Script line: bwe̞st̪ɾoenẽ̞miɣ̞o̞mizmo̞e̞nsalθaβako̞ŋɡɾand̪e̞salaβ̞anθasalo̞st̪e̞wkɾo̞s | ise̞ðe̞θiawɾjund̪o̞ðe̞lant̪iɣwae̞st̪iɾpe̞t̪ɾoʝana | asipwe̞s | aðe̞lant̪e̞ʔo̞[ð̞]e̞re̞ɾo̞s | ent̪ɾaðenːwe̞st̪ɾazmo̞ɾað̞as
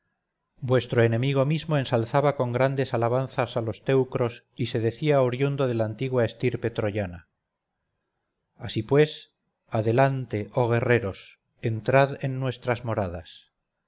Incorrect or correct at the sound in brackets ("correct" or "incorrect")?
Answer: incorrect